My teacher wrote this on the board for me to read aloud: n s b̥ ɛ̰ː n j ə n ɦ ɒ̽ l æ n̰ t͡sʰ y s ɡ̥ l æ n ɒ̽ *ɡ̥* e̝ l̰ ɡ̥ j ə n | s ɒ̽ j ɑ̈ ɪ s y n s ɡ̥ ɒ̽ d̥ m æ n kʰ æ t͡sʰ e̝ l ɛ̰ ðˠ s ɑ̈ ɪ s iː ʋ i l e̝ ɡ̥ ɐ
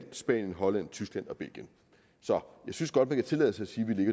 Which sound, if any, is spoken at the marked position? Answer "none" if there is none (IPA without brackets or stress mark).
b̥